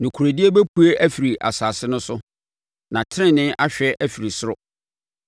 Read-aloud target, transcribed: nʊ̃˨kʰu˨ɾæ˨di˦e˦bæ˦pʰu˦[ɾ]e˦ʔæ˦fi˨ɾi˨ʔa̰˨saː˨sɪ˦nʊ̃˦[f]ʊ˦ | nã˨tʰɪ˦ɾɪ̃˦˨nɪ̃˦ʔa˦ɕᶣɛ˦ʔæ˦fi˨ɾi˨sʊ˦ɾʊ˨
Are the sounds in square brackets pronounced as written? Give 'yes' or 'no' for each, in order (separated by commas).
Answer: no, no